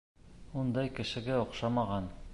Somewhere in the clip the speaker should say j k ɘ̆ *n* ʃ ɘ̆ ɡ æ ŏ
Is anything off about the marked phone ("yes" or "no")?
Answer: yes